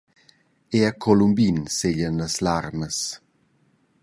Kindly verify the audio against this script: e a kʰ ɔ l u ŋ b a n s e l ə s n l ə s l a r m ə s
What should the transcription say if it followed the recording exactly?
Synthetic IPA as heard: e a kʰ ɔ l u m b i n s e ʎ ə n l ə s l a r m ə s